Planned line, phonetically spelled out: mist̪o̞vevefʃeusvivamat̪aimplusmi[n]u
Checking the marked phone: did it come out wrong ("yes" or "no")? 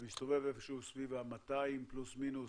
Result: no